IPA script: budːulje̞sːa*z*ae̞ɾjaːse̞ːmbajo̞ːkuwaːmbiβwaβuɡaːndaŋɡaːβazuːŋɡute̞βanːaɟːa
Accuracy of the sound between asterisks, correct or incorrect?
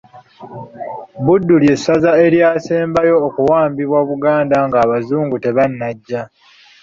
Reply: correct